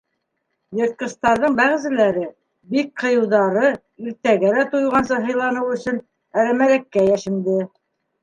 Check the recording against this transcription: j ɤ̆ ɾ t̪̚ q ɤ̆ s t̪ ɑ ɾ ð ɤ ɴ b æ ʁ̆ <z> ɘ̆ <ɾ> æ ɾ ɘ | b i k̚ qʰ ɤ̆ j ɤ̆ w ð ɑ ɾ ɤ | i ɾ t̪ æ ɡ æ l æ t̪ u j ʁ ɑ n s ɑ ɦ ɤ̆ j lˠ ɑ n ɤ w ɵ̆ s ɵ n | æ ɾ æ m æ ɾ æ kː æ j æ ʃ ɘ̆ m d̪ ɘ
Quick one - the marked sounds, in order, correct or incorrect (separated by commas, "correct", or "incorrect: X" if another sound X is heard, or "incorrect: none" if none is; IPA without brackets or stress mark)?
correct, incorrect: l